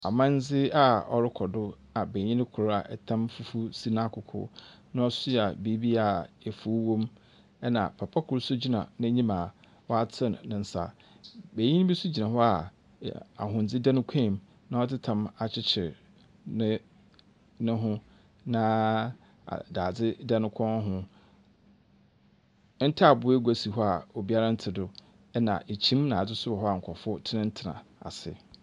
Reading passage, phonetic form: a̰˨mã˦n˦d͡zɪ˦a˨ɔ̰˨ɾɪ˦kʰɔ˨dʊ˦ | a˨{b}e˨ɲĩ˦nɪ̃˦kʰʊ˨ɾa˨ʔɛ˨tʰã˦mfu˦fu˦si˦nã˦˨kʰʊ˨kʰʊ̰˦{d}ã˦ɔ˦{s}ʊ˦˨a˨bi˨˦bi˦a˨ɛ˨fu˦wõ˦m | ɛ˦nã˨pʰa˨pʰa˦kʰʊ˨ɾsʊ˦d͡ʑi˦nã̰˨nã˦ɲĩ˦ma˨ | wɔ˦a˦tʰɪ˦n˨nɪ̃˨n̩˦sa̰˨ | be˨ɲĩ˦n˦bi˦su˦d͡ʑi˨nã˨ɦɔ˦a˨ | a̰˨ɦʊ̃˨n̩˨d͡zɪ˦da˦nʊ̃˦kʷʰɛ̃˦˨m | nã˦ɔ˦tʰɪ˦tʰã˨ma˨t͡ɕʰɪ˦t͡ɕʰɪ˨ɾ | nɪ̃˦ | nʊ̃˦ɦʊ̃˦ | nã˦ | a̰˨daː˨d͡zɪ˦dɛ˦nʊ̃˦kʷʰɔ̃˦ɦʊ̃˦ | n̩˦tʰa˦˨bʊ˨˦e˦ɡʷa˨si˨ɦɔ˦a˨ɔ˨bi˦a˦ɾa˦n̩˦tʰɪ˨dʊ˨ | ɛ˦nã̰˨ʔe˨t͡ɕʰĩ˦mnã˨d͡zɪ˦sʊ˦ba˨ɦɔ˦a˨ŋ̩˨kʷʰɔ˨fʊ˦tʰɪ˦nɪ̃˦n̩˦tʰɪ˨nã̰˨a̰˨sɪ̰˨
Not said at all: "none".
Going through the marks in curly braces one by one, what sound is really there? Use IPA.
b, n, s

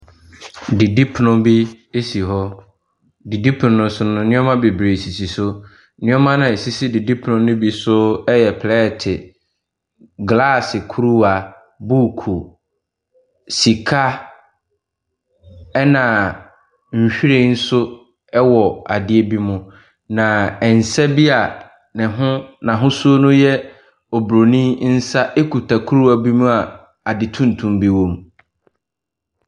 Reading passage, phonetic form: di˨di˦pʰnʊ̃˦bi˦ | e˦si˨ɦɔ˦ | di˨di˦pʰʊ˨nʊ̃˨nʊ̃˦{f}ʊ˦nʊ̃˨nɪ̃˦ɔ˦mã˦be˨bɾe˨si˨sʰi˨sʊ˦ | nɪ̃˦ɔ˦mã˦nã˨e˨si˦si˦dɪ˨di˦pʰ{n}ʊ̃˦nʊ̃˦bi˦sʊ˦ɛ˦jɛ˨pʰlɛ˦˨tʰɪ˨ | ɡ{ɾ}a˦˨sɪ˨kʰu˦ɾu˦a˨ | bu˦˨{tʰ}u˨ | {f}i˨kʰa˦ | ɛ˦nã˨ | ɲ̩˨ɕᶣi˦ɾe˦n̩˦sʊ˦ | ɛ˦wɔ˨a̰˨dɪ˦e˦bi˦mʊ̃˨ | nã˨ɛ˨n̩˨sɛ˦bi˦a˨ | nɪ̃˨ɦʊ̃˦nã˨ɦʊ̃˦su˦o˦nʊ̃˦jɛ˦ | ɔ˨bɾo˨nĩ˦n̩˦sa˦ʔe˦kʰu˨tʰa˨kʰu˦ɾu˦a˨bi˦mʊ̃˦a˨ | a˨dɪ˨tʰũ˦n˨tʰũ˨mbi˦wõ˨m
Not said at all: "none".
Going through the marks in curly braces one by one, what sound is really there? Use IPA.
s, n, l, kʰ, s

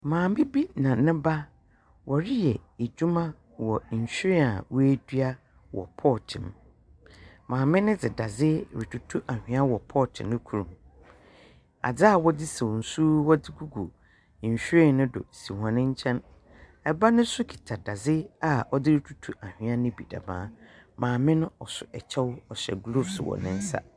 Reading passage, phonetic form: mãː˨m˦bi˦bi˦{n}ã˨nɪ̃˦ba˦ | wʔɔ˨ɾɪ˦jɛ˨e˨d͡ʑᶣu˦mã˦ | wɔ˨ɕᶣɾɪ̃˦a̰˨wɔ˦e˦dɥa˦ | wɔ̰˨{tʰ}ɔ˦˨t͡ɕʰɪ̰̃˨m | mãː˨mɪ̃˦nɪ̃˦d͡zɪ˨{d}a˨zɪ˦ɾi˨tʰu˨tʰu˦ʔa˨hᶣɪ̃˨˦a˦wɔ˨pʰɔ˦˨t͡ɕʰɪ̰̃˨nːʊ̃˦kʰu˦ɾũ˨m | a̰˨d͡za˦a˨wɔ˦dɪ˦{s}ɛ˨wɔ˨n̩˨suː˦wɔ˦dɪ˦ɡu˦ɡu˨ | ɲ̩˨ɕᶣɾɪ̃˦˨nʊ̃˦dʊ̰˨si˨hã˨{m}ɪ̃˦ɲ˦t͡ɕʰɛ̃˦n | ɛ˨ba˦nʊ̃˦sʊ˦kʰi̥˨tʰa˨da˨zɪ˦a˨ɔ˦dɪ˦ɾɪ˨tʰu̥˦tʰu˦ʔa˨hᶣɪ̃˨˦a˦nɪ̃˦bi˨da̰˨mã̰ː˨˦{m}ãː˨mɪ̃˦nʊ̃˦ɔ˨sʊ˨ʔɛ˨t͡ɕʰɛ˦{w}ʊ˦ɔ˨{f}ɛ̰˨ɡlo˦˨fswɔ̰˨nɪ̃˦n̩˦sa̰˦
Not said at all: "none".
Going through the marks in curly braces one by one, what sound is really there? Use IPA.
n, pʰ, d, s, n, m, w, ɕ

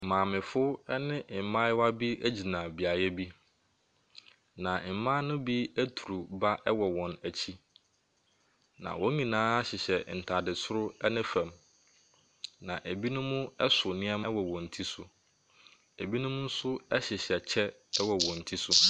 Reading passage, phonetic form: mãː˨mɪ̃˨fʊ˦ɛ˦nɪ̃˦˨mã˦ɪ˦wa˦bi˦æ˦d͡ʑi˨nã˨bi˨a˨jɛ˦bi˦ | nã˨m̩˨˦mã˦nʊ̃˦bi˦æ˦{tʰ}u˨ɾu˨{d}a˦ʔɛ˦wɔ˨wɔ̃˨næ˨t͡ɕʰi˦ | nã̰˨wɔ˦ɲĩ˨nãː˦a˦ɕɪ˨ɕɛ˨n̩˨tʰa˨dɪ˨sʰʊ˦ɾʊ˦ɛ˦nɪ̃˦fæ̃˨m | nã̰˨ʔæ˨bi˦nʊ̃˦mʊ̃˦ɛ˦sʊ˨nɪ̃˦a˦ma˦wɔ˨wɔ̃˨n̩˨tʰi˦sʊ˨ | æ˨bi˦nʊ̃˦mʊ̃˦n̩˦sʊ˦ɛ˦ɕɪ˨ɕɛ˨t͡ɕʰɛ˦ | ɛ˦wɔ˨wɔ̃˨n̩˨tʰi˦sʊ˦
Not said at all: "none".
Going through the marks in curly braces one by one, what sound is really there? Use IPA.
tʰ, b

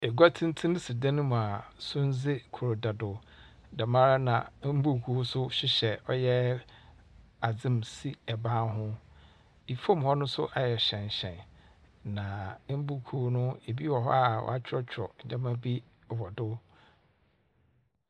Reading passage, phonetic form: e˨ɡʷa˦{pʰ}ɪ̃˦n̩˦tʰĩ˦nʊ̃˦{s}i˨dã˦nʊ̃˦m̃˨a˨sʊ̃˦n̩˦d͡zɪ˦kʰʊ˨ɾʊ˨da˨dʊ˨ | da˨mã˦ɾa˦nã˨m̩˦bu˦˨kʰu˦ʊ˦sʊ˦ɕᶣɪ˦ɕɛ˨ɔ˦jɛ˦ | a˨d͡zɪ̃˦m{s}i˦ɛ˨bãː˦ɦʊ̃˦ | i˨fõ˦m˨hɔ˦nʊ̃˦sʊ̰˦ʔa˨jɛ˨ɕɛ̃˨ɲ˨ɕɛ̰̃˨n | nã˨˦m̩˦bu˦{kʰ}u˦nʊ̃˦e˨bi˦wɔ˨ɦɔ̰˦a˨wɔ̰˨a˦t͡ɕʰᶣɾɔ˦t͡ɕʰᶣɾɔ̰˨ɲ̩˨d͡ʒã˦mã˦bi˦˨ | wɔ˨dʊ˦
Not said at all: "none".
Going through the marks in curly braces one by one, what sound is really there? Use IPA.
tʰ, s, s, kʰ

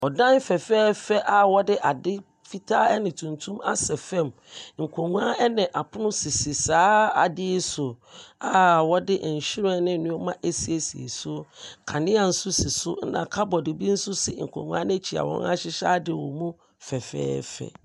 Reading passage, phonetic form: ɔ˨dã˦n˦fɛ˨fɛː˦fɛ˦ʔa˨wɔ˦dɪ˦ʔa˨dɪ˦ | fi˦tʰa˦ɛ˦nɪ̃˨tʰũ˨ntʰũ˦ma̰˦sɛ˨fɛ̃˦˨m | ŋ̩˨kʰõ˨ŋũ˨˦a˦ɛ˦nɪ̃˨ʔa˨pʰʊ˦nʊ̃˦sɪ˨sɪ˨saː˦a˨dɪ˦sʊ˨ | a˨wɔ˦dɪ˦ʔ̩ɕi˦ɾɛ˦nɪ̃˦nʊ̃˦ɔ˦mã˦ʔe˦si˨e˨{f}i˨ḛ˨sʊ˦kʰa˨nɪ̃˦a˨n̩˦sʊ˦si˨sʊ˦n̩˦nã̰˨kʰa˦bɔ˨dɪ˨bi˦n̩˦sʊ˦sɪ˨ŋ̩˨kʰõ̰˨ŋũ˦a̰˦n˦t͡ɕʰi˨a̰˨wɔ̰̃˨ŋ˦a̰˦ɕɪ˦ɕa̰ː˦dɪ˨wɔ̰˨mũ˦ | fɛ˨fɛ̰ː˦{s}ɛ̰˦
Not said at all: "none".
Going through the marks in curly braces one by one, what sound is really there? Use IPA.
s, f

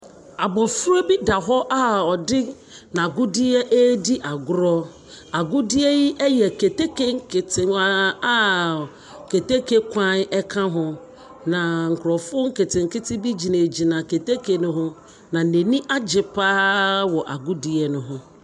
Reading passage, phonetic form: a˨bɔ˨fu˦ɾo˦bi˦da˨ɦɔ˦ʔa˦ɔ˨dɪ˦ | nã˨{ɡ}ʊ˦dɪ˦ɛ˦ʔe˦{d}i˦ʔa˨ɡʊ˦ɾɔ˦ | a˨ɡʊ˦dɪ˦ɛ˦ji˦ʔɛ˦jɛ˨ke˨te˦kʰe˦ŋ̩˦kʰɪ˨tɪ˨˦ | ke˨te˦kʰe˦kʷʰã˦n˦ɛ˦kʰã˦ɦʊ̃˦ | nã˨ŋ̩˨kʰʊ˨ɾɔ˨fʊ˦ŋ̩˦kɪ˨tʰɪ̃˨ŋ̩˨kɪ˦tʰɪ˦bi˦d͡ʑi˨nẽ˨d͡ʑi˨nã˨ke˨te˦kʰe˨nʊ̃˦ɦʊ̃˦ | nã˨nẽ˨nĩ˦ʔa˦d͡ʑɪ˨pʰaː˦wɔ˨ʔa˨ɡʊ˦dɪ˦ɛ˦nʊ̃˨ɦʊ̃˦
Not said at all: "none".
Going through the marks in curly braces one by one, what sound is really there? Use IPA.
ɡ, d

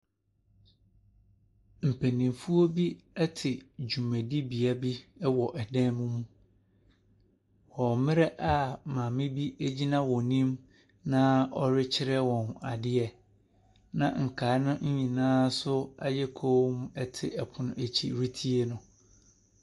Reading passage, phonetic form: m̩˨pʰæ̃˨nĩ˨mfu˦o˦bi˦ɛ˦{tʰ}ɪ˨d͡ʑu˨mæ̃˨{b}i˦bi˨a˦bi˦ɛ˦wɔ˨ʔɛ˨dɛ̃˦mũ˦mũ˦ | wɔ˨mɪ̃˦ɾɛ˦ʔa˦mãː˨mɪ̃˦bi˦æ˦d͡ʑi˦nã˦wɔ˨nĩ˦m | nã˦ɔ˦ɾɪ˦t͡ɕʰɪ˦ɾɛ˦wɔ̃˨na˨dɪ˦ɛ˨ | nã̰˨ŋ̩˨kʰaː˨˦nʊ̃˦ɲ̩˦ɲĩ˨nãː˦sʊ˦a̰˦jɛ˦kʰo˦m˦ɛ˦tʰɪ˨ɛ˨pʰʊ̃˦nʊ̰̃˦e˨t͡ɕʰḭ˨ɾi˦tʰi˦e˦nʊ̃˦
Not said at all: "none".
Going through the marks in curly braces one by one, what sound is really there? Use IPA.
tʰ, d

